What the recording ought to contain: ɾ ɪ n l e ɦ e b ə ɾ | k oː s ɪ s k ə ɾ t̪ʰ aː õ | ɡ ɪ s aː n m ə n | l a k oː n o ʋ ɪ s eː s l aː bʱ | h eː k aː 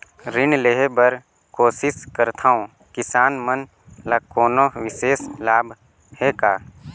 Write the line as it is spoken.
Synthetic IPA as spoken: ɾ ɪ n l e ɦ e b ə ɾ | k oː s ɪ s k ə ɾ t̪ʰ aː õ | k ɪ s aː n m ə n | l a k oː n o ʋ ɪ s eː s l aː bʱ | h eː k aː